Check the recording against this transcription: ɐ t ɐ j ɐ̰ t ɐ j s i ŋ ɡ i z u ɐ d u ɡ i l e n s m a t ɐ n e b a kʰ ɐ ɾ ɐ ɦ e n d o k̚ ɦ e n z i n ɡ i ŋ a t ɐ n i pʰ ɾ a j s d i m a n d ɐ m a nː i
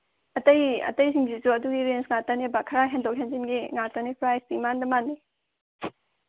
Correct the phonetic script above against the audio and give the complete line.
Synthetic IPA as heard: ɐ t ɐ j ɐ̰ t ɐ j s i ŋ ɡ i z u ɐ d u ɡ i ɾ e n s ŋ a t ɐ n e b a kʰ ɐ ɾ a ɦ e n d o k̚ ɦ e n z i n ɡ i ŋ a t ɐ n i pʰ ɾ a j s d i m a n d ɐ m a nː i